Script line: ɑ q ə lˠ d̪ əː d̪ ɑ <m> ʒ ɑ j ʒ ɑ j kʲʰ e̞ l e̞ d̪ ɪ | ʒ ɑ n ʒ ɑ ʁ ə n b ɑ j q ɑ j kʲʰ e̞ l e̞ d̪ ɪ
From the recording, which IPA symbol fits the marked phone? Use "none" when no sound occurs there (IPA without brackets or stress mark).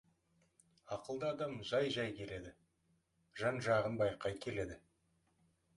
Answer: m